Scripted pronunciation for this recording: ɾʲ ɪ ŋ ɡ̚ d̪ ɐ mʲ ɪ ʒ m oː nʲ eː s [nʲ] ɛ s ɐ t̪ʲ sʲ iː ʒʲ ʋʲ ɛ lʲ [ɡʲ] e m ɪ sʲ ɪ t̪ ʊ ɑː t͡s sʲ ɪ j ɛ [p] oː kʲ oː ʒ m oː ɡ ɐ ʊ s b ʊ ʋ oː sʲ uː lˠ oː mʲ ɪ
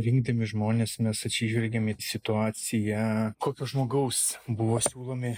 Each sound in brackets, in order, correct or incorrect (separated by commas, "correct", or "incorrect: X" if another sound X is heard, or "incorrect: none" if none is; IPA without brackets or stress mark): incorrect: mʲ, correct, incorrect: k